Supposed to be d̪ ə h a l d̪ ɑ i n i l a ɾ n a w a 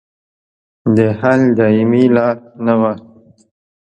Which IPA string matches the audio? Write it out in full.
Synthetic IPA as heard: d̪ ə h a l d̪ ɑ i m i l ɑ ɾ n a w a